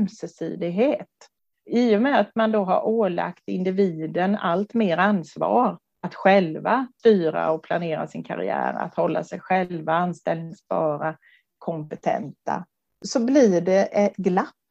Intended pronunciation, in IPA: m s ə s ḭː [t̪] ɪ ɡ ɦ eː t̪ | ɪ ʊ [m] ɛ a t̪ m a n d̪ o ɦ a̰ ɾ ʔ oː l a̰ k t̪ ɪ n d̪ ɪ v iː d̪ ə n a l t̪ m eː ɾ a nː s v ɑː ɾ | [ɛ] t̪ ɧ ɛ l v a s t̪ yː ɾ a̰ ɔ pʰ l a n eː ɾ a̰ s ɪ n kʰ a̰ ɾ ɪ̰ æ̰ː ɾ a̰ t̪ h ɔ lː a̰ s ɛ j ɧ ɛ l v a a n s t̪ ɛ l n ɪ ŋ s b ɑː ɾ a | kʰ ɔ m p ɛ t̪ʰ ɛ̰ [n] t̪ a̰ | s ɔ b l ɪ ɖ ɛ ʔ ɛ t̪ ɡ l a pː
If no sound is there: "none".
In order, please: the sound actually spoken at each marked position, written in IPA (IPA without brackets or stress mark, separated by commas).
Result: d̪, m, a, n